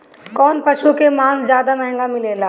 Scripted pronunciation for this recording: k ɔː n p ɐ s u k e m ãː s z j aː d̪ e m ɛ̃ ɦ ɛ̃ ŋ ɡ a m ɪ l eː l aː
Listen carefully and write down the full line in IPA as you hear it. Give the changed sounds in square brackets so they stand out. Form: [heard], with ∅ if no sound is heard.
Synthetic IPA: k ɔː n p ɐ [ʃ] u k e m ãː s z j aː d̪ [a] m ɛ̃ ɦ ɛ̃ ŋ ɡ a m ɪ l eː l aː